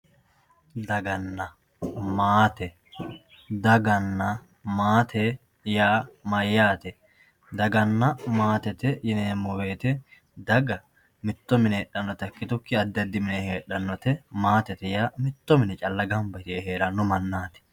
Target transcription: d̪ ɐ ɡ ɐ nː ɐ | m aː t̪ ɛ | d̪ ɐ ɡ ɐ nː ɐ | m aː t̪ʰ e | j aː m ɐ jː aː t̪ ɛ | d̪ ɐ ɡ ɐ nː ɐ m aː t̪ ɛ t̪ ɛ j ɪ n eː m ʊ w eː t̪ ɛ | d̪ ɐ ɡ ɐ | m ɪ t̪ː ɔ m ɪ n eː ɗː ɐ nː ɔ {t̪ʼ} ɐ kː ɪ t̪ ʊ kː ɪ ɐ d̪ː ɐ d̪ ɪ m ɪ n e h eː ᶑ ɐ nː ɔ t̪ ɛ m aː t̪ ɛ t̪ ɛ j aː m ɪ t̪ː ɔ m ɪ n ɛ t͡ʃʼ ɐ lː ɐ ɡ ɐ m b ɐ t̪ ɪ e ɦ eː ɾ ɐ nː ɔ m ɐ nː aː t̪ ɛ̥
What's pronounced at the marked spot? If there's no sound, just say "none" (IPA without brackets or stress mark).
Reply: t̪